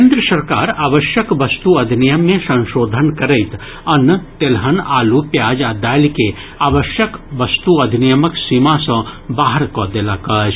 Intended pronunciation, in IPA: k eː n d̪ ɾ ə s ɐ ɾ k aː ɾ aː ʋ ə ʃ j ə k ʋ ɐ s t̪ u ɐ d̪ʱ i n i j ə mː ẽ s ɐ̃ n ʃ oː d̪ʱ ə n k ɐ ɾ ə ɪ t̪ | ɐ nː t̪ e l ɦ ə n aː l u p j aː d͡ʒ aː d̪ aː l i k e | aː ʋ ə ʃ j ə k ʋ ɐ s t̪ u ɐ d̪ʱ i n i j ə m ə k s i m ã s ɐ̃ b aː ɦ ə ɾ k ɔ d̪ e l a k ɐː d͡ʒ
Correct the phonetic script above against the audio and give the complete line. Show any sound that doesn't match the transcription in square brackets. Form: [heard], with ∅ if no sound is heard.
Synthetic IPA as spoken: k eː n d̪ ɾ ə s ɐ ɾ k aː ɾ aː ʋ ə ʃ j ə k ʋ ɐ s t̪ u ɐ d̪ʱ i n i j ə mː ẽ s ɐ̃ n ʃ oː d̪ʱ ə n k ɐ ɾ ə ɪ t̪ | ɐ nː t̪ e l ɦ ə n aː l u p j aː d͡ʒ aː d̪ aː l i k e | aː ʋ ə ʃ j ə k ʋ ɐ s t̪ u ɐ d̪ʱ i n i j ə m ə k s i m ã s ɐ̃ b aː ɦ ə ɾ k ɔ d̪ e l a k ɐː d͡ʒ

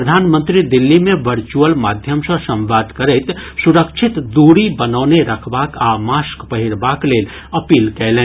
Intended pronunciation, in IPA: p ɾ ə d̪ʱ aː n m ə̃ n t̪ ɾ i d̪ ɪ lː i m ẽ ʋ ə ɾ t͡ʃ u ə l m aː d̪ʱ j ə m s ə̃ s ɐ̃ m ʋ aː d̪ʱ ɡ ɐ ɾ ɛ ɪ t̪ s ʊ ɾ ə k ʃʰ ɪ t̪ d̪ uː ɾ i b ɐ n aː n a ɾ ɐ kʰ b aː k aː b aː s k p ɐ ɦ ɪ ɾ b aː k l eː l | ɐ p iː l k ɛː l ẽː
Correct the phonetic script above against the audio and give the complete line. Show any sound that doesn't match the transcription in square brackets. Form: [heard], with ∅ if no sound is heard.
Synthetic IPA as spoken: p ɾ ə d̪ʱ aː n m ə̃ n t̪ ɾ i d̪ ɪ lː i m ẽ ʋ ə ɾ t͡ʃ u ə l m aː d̪ʱ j ə m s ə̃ s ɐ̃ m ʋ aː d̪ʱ [k] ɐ ɾ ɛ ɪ t̪ s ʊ ɾ ə k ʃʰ ɪ t̪ d̪ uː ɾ i b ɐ n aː n [e] ɾ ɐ kʰ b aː k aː [m] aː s k p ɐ ɦ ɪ ɾ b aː k l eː l | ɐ p iː l k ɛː l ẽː

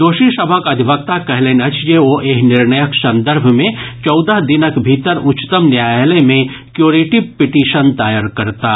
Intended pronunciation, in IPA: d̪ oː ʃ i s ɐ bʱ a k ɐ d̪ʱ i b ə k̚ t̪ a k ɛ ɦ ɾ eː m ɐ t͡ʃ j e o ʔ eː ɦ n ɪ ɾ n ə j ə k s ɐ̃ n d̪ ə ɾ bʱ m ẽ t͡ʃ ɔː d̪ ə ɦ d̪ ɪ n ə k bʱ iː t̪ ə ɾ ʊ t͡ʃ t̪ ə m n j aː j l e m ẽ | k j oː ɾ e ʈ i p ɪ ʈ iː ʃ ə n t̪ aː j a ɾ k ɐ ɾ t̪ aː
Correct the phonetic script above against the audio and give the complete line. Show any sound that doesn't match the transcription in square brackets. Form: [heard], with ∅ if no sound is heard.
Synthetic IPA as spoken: d̪ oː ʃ i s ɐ bʱ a k ɐ d̪ʱ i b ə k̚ t̪ a k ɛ ɦ [l] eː [n] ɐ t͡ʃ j e o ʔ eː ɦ n ɪ ɾ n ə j ə k s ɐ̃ n d̪ ə ɾ bʱ m ẽ t͡ʃ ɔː d̪ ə ɦ d̪ ɪ n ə k bʱ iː t̪ ə ɾ ʊ t͡ʃ t̪ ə m n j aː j l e m ẽ | k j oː ɾ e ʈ i p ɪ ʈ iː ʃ ə n t̪ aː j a ɾ k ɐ ɾ t̪ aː

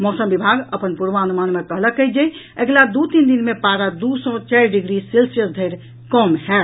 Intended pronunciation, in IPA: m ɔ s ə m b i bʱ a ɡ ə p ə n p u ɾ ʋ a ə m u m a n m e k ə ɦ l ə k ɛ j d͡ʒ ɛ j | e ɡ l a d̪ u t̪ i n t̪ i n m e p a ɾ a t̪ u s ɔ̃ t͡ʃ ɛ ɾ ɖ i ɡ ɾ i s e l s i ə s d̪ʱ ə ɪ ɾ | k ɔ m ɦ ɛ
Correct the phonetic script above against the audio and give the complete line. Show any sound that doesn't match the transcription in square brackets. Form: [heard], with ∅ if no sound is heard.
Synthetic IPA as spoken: m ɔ s ə m b i bʱ a ɡ ə p ə n p u ɾ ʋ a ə [n] u m a n m e k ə ɦ l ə k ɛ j d͡ʒ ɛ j | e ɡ l a d̪ u t̪ i n [d̪] i n m e p a ɾ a [d̪] u s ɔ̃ t͡ʃ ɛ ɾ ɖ i ɡ ɾ i s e l s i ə s d̪ʱ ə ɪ ɾ | k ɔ m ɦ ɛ

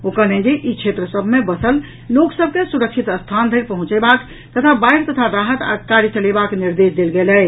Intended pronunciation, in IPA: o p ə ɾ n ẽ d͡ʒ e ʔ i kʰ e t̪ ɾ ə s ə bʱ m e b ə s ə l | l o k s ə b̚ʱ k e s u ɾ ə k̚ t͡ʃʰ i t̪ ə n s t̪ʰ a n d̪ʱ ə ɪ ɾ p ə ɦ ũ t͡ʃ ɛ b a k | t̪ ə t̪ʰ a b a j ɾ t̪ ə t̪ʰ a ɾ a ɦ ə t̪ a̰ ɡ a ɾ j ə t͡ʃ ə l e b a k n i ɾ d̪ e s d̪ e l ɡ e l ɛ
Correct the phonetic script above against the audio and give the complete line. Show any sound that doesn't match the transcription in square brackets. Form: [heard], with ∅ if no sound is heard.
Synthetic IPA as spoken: o [k] ə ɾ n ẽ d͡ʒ e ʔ i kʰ e t̪ ɾ ə s ə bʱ m e b ə s ə l | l o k s ə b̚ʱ k e s u ɾ ə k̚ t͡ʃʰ i t̪ ə [∅] s t̪ʰ a n d̪ʱ ə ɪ ɾ p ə ɦ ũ t͡ʃ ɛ b a k | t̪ ə t̪ʰ a b a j ɾ t̪ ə t̪ʰ a ɾ a ɦ ə t̪ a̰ [k] a ɾ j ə t͡ʃ ə l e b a k n i ɾ d̪ e s d̪ e l ɡ e l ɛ

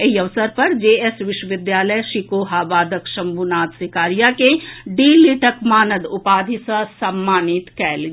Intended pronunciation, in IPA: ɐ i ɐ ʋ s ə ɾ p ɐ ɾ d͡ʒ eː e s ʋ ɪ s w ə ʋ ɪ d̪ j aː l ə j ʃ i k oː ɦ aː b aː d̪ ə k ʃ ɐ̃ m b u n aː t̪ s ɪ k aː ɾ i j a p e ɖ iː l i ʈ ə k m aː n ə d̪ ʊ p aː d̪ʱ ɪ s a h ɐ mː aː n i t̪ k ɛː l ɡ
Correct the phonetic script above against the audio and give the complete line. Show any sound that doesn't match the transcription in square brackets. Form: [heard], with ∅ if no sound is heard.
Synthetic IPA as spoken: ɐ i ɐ ʋ s ə ɾ p ɐ ɾ d͡ʒ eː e s ʋ ɪ [ʃ] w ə ʋ ɪ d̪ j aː l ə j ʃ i k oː ɦ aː b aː d̪ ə k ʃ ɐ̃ m b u n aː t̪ s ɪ k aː ɾ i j a [k] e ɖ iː l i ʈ ə k m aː n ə d̪ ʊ p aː d̪ʱ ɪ s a [s] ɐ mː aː n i t̪ k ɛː l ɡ

